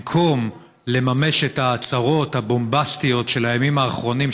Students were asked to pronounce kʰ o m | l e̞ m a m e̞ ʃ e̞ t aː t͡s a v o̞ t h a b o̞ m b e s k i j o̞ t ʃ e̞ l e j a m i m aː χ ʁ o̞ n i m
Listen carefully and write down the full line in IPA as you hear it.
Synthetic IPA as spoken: kʰ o m | l e̞ m a m e̞ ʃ e̞ t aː t͡s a ʁ o̞ t h a b o̞ m b a s t i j o̞ t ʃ e̞ l a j a m i m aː χ ʁ o̞ n i m